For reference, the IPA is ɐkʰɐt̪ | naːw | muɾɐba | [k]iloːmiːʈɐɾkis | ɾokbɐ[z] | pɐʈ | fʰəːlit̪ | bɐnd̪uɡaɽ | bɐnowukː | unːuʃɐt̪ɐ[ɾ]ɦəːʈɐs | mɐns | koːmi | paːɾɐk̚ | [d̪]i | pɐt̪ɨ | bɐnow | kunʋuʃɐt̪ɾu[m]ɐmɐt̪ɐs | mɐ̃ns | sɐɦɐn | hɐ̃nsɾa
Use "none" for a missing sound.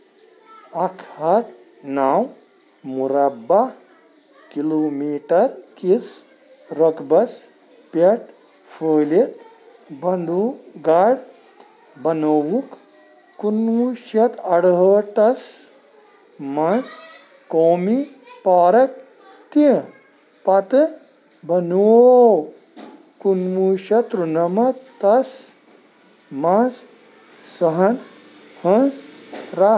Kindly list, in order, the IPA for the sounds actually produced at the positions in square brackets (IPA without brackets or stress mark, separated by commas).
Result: k, s, ɽ, t̪, n